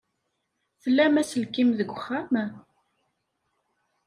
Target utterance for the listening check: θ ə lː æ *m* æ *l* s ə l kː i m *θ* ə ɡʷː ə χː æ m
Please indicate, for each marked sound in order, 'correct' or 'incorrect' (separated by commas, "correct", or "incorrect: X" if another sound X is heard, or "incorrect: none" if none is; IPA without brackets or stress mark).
correct, incorrect: none, incorrect: ð